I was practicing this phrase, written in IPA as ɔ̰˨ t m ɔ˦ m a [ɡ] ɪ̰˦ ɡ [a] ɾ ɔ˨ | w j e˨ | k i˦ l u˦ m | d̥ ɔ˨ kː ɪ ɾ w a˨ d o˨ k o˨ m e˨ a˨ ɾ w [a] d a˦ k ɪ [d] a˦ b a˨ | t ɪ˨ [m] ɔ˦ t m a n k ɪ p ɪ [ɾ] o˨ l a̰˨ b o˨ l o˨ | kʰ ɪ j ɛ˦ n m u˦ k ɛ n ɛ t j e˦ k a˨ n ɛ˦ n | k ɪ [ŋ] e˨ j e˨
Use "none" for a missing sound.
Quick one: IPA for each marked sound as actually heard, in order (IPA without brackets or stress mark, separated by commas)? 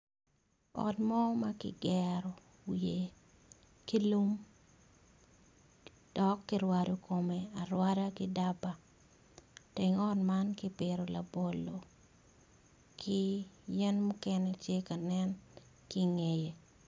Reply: k, ɛ, a, d, ŋ, ɾ, ŋ